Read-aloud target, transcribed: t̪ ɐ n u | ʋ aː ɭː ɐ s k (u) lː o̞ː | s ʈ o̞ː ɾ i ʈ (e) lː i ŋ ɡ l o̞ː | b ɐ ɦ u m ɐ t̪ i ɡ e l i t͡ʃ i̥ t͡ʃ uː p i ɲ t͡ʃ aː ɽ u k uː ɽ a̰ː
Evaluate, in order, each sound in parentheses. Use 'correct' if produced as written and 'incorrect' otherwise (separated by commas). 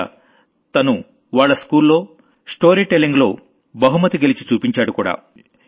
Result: incorrect, correct